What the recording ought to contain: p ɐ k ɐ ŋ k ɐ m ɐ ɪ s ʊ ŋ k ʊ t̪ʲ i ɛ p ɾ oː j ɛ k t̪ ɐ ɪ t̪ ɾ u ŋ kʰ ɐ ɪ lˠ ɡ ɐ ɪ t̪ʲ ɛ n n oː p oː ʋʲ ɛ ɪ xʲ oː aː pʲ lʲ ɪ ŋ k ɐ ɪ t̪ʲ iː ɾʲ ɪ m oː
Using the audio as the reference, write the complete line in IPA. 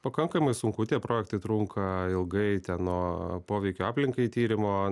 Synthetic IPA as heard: p ɐ k ɐ ŋ k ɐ m ɐ ɪ s ʊ ŋ k ʊ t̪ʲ i ɛ p ɾ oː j ɛ k t̪ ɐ ɪ t̪ ɾ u ŋ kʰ ɐ ɪ lˠ ɡ ɐ ɪ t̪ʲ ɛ n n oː p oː ʋʲ ɛ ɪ kʲ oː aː pʲ lʲ ɪ ŋ k ɐ ɪ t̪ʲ iː ɾʲ ɪ m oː